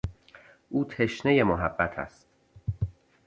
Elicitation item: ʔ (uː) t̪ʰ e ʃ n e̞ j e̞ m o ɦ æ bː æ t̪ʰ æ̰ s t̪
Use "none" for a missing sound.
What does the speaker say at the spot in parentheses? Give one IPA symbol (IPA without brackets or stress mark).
uː